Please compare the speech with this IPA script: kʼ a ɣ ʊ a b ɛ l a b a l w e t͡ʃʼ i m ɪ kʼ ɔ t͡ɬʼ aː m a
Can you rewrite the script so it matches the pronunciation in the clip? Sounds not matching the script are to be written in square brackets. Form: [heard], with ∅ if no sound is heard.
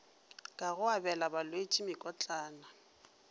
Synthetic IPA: kʼ a ɣ ʊ a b ɛ l a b a l w e t͡ʃʼ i m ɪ kʼ ɔ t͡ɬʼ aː [n] a